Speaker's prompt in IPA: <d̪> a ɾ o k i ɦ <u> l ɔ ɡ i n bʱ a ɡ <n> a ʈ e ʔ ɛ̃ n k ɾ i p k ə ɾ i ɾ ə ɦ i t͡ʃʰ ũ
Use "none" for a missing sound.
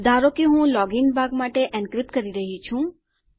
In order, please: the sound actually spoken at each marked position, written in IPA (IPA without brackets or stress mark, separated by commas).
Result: d̪, ũ, m